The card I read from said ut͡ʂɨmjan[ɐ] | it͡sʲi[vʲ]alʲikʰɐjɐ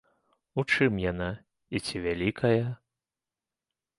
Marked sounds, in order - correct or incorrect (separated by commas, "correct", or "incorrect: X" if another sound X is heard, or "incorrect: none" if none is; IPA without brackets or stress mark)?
incorrect: a, correct